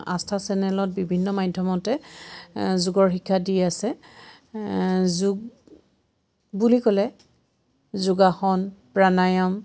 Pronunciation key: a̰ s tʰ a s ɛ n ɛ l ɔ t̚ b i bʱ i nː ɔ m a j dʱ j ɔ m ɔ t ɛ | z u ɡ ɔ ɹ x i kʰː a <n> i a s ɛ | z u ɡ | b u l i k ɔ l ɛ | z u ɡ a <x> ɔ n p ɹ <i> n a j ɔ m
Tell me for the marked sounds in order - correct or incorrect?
incorrect, correct, incorrect

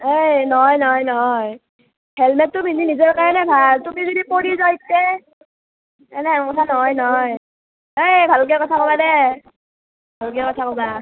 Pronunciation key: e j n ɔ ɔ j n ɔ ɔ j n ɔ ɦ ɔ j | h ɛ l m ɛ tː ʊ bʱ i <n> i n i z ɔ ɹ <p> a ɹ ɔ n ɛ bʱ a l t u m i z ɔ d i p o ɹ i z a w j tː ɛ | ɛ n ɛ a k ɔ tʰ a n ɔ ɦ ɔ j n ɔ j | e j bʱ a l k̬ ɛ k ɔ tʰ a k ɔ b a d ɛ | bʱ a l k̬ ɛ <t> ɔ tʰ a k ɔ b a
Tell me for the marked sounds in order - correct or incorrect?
correct, incorrect, incorrect

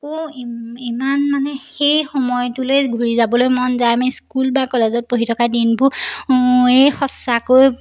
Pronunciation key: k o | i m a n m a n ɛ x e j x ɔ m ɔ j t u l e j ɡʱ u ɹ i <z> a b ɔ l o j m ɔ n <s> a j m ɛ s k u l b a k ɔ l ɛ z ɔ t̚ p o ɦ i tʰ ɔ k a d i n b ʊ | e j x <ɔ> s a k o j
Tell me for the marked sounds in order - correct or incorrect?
correct, incorrect, correct

